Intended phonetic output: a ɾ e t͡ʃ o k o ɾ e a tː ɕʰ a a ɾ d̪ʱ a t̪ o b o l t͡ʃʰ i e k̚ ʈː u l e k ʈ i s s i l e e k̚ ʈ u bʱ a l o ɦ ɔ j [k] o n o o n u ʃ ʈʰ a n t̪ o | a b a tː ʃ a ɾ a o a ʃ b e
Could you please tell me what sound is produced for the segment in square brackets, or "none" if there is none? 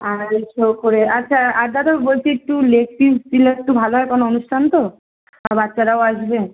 k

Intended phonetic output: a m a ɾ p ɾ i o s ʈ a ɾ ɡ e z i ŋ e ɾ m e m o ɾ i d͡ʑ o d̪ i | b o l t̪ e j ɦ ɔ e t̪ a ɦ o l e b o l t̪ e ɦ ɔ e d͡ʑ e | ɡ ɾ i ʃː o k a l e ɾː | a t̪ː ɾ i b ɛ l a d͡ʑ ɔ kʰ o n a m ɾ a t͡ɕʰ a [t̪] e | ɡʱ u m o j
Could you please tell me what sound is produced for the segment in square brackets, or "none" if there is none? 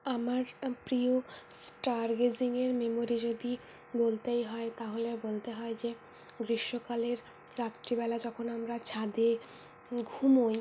d̪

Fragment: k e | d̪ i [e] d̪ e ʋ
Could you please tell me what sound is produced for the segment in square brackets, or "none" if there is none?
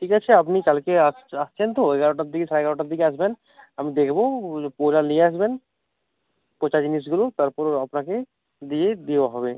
e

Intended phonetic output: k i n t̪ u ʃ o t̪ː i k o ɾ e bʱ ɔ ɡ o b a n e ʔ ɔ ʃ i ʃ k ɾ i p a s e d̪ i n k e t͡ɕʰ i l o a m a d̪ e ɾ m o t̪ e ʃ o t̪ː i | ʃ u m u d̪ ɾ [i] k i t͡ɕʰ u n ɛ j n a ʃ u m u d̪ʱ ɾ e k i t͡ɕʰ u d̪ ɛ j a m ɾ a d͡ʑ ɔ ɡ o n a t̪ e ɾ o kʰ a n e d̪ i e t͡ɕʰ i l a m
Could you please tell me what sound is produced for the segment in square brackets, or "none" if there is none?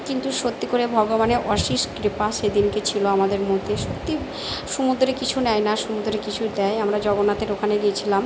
e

